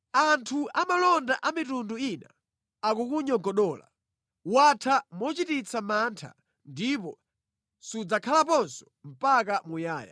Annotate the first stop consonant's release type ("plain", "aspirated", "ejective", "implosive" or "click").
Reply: aspirated